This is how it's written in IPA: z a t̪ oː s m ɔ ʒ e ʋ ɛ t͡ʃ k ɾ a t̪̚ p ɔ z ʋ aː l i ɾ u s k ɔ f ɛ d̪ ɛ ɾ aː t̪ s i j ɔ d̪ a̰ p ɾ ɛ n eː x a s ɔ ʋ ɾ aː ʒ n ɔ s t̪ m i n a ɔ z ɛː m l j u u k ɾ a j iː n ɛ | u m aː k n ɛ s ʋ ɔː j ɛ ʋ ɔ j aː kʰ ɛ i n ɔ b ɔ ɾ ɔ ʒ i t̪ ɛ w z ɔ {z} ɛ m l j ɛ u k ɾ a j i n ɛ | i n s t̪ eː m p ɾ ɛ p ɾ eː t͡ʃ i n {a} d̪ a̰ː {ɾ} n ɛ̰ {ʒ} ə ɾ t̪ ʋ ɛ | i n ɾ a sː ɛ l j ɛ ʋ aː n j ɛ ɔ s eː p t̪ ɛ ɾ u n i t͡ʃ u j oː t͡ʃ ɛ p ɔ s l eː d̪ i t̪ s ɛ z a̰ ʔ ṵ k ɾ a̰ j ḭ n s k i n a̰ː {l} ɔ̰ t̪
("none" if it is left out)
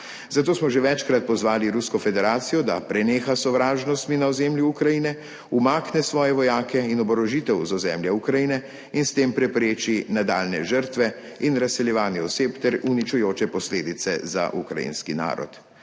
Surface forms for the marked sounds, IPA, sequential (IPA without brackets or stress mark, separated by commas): z, a, l, ʒ, ɾ